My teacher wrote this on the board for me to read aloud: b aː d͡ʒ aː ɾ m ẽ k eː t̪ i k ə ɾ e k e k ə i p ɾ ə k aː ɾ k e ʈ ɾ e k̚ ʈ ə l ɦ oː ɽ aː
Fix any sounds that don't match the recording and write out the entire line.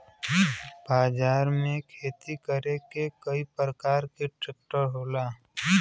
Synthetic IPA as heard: b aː d͡ʒ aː ɾ m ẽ kʰ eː t̪ i k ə ɾ e k e k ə i p ɾ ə k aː ɾ k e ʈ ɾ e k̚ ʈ ə ɾ ɦ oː l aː